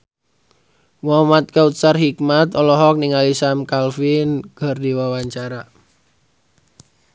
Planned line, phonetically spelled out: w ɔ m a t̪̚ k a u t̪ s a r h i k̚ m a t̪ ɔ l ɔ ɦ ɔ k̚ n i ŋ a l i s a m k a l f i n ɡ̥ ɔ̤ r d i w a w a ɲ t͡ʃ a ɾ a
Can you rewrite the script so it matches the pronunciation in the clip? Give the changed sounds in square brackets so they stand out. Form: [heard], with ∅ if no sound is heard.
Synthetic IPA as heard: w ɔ m a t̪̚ k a u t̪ s a r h i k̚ m a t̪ ɔ l ɔ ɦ ɔ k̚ n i ŋ a l i s a m k a l f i n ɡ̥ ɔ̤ r d i w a w a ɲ t͡ʃ a ɾ a